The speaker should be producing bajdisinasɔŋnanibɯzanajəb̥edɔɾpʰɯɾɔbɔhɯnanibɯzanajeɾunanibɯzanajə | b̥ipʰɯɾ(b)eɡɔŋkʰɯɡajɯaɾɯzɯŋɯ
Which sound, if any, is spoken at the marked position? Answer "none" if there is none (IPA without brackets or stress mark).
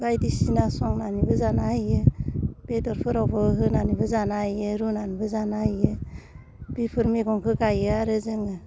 m